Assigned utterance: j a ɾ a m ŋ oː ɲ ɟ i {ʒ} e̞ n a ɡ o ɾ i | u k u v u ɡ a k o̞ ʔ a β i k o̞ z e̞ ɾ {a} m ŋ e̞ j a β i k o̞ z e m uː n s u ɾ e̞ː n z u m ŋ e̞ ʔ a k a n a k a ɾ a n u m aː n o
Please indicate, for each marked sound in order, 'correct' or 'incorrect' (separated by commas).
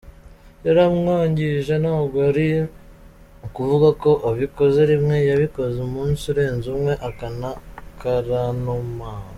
correct, incorrect